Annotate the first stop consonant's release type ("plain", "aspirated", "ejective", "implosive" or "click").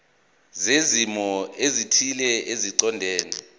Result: aspirated